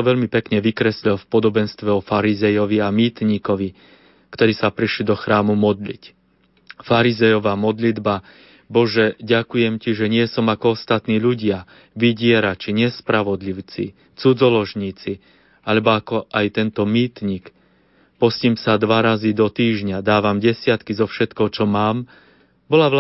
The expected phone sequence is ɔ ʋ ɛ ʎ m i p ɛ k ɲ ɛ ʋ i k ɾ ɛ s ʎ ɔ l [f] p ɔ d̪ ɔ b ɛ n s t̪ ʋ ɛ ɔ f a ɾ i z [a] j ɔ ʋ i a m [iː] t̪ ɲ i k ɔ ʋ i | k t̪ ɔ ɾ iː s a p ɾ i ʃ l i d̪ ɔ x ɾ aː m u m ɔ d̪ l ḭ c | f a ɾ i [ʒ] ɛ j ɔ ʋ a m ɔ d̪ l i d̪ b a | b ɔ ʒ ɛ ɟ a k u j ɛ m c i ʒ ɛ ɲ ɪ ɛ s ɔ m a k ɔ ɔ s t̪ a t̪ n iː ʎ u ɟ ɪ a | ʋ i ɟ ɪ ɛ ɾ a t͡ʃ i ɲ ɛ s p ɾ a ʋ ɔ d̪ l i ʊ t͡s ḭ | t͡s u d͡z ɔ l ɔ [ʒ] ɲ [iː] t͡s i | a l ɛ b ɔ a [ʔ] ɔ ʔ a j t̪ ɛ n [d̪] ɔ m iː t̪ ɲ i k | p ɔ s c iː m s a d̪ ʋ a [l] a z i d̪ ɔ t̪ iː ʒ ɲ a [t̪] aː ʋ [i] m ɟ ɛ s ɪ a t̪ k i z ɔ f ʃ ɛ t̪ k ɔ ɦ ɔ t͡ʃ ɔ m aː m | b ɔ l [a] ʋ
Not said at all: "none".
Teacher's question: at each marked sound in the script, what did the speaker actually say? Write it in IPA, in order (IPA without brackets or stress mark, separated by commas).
f, ɛ, iː, z, ʒ, iː, k, t̪, ɾ, d̪, a, a